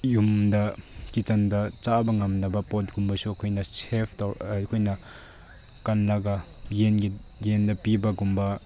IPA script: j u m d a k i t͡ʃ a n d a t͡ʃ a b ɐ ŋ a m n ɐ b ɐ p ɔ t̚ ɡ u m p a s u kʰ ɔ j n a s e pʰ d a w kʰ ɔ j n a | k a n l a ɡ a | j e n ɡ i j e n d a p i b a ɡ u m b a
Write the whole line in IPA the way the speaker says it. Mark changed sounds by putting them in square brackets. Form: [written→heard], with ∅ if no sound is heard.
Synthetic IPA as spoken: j u m d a k i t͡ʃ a n d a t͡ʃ a b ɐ ŋ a m n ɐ b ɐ p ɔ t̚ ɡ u m [p→b] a s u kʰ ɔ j n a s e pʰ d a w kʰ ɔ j n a | k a n l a ɡ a | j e n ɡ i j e n d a p i b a ɡ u m b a